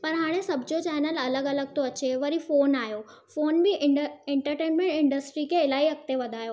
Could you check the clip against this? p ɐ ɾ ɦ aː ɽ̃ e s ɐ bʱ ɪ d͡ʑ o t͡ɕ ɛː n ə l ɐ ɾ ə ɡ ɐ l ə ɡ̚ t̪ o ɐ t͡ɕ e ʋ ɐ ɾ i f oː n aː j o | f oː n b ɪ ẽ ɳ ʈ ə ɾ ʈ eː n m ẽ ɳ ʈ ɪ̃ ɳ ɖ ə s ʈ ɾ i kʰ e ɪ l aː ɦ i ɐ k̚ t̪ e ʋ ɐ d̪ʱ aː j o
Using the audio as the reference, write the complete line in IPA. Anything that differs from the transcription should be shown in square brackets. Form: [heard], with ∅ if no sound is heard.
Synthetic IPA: p ɐ ɾ ɦ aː ɽ̃ e s ɐ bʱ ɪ d͡ʑ o t͡ɕ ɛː n ə l ɐ [l] ə ɡ ɐ l ə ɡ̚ t̪ o ɐ t͡ɕ e ʋ ɐ ɾ i f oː n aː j o | f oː n b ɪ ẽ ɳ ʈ ə ɾ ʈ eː n m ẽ ɳ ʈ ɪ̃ ɳ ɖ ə s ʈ ɾ i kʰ e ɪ l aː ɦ i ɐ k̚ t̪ e ʋ ɐ d̪ʱ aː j o